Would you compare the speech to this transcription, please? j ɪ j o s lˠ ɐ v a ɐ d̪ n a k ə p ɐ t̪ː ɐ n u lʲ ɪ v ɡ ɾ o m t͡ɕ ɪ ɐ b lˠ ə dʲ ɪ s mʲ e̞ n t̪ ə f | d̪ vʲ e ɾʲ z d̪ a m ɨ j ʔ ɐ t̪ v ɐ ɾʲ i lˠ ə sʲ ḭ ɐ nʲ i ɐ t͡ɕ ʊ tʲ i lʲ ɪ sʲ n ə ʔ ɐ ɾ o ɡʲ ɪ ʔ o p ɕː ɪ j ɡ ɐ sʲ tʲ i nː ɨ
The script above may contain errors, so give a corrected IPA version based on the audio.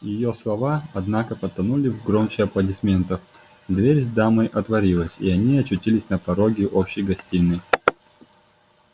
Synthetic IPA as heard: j ɪ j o s lˠ ɐ v a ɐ d̪ n a k ə p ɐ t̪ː ɐ n u lʲ ɪ v ɡ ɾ o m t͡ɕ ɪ ɐ p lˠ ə dʲ ɪ s mʲ e̞ n t̪ ə f | d̪ vʲ e ɾʲ z d̪ a m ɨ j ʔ ɐ t̪ v ɐ ɾʲ i lˠ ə sʲ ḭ ɐ nʲ i ɐ t͡ɕ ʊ tʲ i lʲ ɪ sʲ n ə p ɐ ɾ o ɡʲ ɪ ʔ o p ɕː ɪ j ɡ ɐ sʲ tʲ i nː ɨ